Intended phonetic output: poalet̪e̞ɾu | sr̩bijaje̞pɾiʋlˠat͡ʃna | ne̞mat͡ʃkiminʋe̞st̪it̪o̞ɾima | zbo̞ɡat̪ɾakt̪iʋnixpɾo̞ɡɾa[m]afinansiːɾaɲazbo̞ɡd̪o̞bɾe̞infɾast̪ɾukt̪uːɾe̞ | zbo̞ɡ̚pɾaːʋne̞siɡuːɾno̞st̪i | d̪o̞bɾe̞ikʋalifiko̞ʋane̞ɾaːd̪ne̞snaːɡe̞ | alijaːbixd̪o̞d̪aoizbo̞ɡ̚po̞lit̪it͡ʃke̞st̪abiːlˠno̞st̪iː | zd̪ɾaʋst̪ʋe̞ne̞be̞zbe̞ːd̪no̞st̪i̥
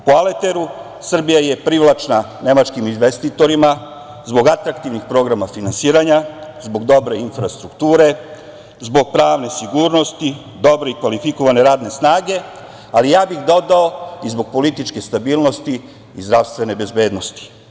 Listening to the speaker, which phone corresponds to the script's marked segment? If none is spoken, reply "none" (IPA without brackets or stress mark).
m